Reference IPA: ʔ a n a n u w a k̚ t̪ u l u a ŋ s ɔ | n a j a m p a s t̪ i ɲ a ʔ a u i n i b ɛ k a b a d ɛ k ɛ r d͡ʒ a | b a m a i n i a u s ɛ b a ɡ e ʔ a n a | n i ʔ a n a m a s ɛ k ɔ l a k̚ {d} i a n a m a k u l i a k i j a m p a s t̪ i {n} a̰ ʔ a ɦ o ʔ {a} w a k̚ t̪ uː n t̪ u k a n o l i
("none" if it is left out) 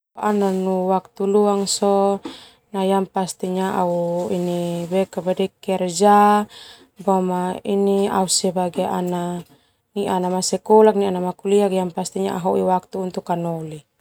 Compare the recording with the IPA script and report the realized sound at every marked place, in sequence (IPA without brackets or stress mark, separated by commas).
n, ɲ, i